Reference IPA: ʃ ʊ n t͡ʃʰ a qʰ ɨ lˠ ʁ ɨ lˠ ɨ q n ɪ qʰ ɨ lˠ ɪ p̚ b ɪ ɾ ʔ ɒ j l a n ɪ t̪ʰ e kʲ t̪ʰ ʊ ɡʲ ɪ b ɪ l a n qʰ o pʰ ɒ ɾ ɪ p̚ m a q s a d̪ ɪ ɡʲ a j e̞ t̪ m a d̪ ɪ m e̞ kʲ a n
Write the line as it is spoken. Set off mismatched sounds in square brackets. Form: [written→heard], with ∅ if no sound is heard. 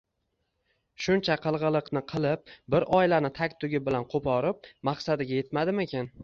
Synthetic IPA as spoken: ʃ ʊ n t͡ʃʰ a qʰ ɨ lˠ ʁ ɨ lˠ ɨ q n ɪ qʰ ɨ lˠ ɪ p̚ b ɪ ɾ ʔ ɒ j l a n ɪ t̪ʰ [e→a] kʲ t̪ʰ ʊ ɡʲ ɪ b ɪ l a n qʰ o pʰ ɒ ɾ ɪ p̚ m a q s a d̪ ɪ ɡʲ a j e̞ t̪ m a d̪ ɪ m e̞ kʲ a n